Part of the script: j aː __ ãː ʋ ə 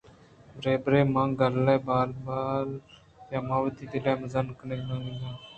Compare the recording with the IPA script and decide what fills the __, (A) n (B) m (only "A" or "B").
B